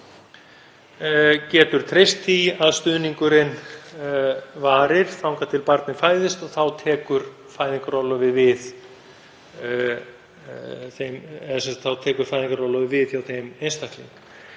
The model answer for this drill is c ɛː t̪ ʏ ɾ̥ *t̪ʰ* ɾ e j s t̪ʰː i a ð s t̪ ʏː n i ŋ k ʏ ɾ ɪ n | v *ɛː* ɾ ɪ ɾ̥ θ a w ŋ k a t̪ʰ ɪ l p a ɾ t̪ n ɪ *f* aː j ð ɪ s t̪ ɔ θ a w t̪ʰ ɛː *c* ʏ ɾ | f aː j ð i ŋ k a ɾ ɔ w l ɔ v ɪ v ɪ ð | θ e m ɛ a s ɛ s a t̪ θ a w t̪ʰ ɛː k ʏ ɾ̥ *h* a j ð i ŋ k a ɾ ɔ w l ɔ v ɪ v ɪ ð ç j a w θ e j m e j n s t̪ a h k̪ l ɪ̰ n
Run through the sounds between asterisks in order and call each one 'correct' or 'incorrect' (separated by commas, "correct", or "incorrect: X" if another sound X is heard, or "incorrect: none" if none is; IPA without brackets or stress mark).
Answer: correct, incorrect: aː, correct, incorrect: k, incorrect: f